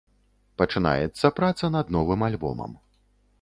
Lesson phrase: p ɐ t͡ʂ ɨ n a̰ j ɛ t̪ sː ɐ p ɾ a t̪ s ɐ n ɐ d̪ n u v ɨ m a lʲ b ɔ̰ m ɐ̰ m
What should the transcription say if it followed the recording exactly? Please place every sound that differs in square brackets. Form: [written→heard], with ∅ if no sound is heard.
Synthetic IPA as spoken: p ɐ t͡ʂ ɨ n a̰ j ɛ t̪ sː ɐ p ɾ a t̪ s ɐ n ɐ d̪ n [u→ɔ] v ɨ m a lʲ b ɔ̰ m ɐ̰ m